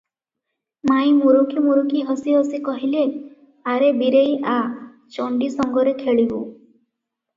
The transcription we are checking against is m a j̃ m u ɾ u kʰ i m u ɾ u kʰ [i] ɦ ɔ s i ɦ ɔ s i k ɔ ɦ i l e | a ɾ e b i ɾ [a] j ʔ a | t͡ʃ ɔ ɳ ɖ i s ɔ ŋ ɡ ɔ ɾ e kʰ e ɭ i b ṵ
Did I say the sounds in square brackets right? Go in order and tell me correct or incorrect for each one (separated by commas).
correct, incorrect